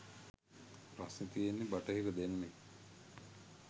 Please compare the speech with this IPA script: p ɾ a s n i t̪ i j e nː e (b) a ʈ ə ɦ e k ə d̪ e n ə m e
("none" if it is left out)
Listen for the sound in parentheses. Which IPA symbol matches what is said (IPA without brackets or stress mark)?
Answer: b